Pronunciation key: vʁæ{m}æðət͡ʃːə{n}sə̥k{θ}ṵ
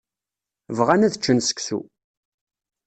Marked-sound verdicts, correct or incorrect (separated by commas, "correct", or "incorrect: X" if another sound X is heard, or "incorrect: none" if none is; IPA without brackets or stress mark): incorrect: n, correct, correct